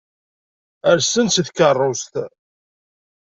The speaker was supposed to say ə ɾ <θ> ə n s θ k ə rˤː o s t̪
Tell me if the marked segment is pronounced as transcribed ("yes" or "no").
no